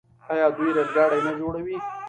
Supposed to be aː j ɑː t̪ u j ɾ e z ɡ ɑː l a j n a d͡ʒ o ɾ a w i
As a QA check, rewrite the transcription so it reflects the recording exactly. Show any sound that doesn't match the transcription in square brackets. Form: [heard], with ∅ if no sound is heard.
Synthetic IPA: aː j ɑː [d̪] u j ɾ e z ɡ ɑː [ɽ] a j n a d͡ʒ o [ɽ] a w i